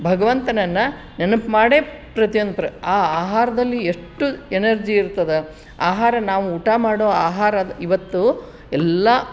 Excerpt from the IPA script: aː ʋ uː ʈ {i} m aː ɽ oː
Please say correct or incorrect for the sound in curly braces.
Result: incorrect